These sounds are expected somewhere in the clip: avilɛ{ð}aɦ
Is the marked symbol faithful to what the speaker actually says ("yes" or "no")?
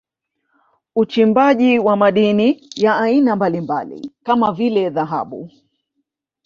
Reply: yes